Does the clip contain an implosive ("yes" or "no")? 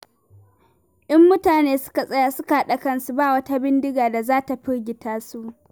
yes